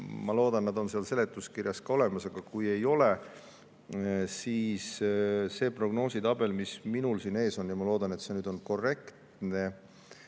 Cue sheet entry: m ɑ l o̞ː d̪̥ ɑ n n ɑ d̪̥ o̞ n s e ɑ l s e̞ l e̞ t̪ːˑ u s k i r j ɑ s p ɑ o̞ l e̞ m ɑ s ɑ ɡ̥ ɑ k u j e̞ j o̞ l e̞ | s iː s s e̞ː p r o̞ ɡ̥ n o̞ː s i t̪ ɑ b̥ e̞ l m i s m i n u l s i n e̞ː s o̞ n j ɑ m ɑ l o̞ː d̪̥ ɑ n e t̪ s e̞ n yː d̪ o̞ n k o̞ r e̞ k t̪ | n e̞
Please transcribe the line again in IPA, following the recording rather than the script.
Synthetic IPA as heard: m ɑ l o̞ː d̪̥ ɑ n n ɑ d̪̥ o̞ n s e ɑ l s e̞ l e̞ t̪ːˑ u s k i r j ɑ s k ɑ o̞ l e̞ m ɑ s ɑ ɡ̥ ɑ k u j e̞ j o̞ l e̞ | s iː s s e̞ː p r o̞ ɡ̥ n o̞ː s i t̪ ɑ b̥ e̞ l m i s m i n u l s i n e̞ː s o̞ n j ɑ m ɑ l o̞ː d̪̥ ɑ n e t̪ s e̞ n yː d̪ o̞ n k o̞ r e̞ k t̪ | n e̞